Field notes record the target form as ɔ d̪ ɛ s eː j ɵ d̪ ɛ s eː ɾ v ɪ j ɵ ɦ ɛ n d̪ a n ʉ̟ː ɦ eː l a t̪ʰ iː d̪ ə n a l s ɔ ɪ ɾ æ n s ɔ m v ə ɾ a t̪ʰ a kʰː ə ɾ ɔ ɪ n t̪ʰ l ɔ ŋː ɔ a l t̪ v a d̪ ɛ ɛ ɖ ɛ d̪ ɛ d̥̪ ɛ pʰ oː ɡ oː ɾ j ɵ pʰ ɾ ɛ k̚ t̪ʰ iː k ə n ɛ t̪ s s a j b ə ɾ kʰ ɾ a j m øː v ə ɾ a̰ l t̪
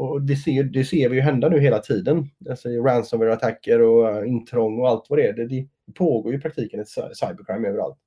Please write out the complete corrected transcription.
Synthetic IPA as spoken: ɔ d̪ ɛ s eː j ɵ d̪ ɛ s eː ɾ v ɪ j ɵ ɦ ɛ n d̪ a n ʉ̟ː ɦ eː l a t̪ʰ iː d̪ ə n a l s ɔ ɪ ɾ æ n s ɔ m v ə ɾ a t̪ʰ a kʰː ə ɾ ɔ ɪ n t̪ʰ ɾ ɔ ŋː ɔ a l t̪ v a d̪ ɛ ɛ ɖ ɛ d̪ ɛ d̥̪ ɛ pʰ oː ɡ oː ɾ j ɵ pʰ ɾ a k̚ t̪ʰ iː k ə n ɛ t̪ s s a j b ə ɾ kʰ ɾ a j m øː v ə ɾ a̰ l t̪